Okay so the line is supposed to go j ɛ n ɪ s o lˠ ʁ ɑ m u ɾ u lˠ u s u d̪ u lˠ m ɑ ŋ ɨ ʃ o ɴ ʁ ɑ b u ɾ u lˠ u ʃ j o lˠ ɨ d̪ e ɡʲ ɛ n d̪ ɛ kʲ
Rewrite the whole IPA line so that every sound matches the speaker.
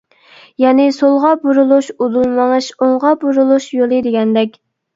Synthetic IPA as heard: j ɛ n ɪ s o lˠ ʁ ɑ b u ɾ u lˠ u ʃ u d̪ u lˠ m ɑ ŋ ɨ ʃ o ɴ ʁ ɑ b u ɾ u lˠ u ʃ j o lˠ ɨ d̪ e ɡʲ ɛ n d̪ ɛ kʲ